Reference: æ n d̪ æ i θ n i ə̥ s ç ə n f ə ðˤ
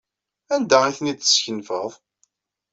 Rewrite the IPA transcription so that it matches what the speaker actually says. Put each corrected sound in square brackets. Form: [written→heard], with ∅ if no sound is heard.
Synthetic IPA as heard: æ n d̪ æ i θ n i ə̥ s ç ə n f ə ðˤ